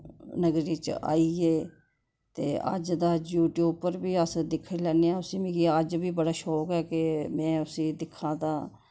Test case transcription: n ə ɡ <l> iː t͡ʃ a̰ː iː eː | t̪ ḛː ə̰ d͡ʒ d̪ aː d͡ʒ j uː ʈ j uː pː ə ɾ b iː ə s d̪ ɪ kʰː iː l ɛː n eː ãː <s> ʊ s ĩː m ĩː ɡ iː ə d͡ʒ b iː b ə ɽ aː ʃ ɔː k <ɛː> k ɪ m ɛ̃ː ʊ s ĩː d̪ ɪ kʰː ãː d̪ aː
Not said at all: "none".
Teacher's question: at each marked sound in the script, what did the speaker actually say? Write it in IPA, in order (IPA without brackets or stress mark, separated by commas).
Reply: ɾ, none, ɛː